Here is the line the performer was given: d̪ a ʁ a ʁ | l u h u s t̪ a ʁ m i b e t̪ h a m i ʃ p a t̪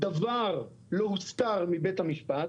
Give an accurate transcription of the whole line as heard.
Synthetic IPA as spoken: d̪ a v a ʁ | l o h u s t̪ a ʁ m i b e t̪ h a m i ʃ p a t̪